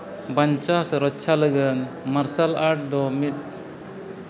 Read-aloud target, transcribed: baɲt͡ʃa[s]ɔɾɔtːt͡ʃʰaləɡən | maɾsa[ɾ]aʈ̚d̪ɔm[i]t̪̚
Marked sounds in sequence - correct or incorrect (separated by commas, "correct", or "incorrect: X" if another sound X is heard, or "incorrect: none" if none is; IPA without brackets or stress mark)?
correct, incorrect: l, correct